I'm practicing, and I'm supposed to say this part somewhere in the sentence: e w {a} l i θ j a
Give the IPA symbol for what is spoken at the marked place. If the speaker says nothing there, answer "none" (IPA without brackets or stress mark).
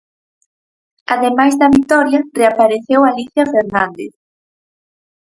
a